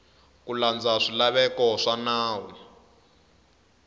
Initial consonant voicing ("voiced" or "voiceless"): voiceless